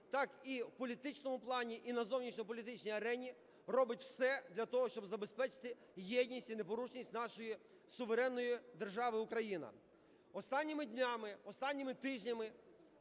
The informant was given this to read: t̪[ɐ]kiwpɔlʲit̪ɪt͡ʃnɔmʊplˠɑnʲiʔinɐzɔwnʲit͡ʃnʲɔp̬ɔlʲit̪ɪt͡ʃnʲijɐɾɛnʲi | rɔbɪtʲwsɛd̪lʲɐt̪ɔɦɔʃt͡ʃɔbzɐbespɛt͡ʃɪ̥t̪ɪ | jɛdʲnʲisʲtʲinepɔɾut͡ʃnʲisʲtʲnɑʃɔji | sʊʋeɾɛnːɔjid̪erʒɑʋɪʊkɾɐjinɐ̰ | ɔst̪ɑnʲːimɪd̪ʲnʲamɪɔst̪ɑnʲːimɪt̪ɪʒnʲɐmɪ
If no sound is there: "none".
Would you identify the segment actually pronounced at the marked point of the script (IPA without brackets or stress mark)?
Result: ɑ